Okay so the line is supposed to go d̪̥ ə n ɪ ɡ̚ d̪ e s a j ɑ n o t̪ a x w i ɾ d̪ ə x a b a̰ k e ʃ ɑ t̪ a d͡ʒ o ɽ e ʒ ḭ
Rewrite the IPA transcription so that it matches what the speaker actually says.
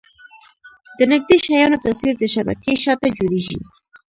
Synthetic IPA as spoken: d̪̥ ə n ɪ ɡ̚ d̪ e ʃ a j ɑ n o t̪ a s w i ɾ d̪ ə ʃ a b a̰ k e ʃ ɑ t̪ a d͡ʒ o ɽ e ʒ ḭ